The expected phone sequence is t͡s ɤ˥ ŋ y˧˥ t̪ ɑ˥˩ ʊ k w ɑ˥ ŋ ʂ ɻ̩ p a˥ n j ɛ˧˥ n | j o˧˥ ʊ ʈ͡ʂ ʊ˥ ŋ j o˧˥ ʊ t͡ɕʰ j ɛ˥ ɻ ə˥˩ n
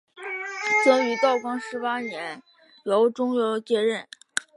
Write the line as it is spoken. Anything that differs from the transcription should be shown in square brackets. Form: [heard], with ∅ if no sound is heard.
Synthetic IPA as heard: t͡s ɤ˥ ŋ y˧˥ t̪ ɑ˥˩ ʊ k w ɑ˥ ŋ ʂ ɻ̩ p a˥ n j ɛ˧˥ n | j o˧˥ ʊ ʈ͡ʂ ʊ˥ ŋ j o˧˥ ʊ [t͡ɕ] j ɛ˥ ɻ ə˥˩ n